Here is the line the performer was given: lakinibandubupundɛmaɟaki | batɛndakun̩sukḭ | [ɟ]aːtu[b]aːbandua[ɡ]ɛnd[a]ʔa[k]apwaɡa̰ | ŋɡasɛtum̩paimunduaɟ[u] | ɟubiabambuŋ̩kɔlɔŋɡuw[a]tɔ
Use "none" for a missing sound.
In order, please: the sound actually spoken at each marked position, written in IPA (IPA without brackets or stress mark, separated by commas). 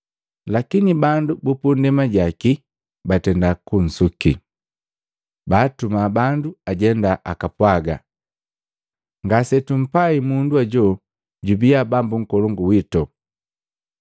b, m, ɟ, a, k, ɔ, i